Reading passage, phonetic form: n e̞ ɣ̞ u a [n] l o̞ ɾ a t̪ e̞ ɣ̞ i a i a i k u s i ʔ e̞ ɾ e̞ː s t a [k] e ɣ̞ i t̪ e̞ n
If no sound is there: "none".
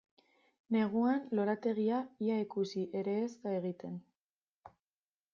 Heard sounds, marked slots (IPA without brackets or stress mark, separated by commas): n, none